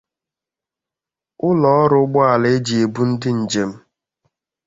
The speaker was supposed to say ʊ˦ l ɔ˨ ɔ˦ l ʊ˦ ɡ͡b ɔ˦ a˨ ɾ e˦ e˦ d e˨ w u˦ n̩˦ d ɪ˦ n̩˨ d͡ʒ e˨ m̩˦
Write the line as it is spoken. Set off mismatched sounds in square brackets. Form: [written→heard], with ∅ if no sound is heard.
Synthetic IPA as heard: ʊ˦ l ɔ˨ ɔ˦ [l→ɾ] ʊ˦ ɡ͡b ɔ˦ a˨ [ɾ→l] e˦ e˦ [d→d͡ʒ] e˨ [w→b] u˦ n̩˦ d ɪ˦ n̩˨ d͡ʒ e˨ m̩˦